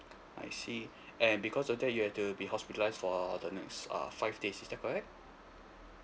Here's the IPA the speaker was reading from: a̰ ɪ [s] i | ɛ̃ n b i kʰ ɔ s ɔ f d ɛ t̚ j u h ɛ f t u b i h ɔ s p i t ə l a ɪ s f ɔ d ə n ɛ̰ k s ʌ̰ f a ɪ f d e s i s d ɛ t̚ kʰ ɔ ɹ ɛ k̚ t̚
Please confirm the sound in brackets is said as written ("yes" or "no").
yes